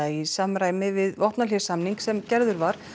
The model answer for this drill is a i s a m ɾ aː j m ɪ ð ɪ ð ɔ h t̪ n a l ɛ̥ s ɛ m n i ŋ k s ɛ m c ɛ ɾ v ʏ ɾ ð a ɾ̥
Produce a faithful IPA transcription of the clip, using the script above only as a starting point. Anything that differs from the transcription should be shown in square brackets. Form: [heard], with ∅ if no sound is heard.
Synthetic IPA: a i s a m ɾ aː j m ɪ [v] ɪ ð ɔ h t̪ n a l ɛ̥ s [a] m n i ŋ k s ɛ m c ɛ ɾ [ð] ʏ ɾ [v] a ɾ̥